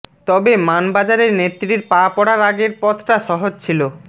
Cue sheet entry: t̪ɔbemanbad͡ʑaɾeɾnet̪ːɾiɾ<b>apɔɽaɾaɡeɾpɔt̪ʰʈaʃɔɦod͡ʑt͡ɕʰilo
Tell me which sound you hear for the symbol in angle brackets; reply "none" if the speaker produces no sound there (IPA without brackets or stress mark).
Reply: p